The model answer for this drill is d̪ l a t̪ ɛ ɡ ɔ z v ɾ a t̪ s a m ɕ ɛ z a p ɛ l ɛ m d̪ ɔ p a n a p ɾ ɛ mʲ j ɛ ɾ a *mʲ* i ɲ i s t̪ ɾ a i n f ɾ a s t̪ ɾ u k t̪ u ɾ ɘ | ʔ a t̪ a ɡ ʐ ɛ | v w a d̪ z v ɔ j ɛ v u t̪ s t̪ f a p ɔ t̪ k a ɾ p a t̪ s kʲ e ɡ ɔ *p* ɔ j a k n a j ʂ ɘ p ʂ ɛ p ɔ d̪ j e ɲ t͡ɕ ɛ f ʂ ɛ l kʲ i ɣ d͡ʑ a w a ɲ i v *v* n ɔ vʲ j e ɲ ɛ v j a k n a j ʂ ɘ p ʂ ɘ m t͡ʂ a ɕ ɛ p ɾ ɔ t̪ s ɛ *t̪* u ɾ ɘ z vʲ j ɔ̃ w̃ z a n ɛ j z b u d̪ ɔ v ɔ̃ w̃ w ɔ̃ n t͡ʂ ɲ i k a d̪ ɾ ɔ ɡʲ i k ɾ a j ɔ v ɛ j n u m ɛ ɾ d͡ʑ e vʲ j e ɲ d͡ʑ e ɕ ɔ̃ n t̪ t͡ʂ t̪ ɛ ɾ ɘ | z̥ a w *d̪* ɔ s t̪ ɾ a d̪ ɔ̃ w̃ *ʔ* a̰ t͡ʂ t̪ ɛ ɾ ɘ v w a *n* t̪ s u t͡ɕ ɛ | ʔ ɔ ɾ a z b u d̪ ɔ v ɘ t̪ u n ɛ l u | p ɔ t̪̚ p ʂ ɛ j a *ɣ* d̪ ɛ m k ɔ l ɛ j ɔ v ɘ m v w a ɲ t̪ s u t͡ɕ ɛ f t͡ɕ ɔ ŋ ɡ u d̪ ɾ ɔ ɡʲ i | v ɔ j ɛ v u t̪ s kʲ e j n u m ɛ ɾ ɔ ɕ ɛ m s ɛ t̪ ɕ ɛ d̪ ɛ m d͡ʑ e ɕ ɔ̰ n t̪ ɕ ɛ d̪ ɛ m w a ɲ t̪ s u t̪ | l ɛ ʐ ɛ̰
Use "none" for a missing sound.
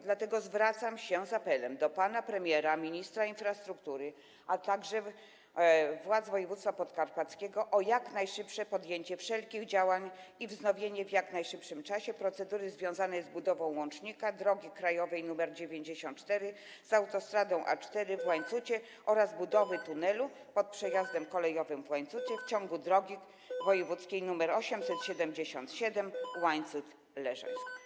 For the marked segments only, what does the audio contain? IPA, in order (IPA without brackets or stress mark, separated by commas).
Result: mʲ, ʔ, z, d̪, t̪, ʔ, ɲ, z